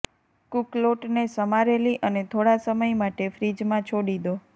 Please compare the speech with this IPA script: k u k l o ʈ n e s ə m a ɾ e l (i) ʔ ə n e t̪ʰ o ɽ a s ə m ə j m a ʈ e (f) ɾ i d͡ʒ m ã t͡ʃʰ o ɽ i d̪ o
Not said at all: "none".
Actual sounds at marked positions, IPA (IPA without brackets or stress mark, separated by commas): i, f